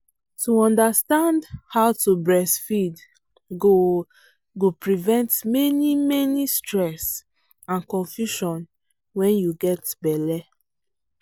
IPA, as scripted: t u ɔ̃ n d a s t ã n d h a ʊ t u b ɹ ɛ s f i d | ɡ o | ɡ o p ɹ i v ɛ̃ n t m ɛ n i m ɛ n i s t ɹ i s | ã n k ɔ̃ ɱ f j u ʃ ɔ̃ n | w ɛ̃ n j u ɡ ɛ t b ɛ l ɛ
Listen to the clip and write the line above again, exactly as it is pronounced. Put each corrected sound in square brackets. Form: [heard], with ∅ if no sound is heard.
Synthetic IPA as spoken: t u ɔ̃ n d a s t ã n d h a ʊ t u b ɹ ɛ s f i d | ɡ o | ɡ o p ɹ i v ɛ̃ n t m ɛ n i m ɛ n i s t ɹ [ɛ] s | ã n k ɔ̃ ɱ f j u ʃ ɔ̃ n | w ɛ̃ n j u ɡ ɛ t b ɛ l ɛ